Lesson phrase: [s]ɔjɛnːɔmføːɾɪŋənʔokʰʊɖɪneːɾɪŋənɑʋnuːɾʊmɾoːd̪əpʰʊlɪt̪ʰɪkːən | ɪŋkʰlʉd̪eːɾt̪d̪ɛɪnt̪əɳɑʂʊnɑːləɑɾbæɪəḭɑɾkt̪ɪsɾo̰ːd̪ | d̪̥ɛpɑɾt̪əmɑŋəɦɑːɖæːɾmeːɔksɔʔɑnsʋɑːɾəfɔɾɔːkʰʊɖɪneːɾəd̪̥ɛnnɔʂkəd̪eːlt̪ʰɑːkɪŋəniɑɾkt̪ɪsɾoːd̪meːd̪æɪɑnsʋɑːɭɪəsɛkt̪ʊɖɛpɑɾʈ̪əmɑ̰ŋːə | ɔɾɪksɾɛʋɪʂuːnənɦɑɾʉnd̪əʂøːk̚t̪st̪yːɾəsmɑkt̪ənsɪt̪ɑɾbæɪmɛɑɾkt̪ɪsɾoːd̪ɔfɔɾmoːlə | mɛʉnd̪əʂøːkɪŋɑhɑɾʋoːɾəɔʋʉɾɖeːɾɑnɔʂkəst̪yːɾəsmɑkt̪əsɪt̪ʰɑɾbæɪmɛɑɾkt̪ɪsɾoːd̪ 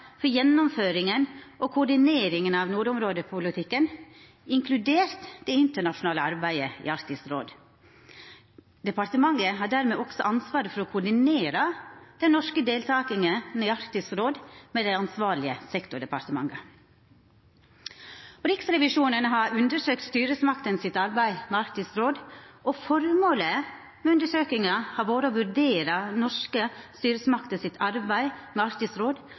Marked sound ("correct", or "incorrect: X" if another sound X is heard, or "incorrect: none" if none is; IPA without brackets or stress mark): incorrect: f